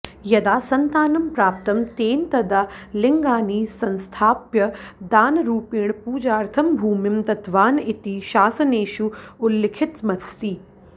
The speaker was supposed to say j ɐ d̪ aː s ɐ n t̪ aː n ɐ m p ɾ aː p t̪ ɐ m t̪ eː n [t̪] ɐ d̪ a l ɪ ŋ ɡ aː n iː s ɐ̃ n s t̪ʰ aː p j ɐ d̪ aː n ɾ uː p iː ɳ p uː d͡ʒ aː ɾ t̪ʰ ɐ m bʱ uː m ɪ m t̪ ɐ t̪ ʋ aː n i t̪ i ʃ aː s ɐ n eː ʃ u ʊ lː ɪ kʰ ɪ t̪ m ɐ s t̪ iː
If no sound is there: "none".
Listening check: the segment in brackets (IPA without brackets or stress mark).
t̪